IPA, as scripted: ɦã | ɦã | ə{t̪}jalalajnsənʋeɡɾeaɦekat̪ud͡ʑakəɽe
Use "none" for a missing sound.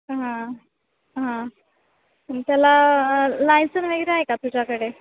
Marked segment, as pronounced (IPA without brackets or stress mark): t̪